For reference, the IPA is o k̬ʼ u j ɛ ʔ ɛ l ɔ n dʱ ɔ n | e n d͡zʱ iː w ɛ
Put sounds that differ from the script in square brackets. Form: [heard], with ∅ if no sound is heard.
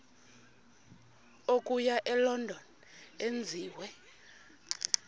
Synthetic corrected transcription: o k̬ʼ u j [a] ʔ ɛ l ɔ n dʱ ɔ n | e n d͡zʱ iː w ɛ